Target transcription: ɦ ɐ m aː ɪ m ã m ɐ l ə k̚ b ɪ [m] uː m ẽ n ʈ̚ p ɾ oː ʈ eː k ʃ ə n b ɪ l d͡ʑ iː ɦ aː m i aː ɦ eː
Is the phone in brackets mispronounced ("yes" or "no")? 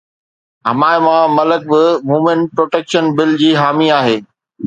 no